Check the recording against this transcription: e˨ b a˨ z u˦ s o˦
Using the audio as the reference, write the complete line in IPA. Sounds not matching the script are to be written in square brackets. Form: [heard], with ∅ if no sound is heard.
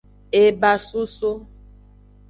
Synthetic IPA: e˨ b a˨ [s] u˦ s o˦